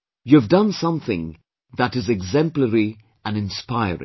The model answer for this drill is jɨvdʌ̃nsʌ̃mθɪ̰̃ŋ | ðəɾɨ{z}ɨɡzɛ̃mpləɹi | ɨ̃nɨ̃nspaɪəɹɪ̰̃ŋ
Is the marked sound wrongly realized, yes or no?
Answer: no